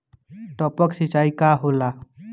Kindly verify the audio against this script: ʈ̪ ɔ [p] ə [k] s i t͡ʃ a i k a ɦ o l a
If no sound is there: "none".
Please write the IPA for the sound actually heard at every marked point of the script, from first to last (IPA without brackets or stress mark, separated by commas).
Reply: p, k